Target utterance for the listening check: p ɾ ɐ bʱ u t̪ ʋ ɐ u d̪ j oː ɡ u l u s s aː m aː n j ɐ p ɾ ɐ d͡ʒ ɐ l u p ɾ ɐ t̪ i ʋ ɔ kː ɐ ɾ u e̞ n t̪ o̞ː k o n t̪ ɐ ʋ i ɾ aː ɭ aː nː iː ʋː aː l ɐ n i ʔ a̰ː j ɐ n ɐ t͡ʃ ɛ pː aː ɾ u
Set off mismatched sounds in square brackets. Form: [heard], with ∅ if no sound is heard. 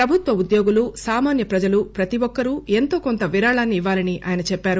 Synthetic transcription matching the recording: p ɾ ɐ bʱ u t̪ ʋ ɐ u d̪ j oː ɡ u l u s s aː m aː n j ɐ p ɾ ɐ d͡ʒ ɐ l u p ɾ ɐ t̪ i ʋ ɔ kː ɐ ɾ u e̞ n t̪ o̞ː k o n t̪ ɐ ʋ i ɾ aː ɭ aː nː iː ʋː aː l ɐ n i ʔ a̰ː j ɐ n ɐ t͡ʃ ɛ pː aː ɾ u